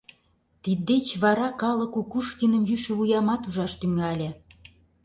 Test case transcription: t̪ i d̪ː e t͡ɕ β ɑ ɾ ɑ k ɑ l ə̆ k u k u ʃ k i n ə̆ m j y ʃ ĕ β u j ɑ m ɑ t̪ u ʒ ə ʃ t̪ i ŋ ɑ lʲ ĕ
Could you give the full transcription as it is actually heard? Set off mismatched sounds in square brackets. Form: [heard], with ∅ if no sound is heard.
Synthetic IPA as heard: t̪ i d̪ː e t͡ɕ β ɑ ɾ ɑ k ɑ l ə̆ k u k u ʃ k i n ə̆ m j y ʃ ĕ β u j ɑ m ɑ t̪ u ʒ [ɑ] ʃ t̪ [y] ŋ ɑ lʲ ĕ